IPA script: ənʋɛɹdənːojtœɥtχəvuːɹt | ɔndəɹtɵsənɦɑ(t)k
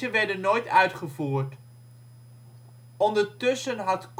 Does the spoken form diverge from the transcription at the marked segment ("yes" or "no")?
no